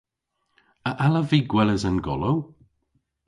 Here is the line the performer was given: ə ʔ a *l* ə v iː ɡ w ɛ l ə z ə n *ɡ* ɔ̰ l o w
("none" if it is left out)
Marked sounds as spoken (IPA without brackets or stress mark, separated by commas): l, ɡ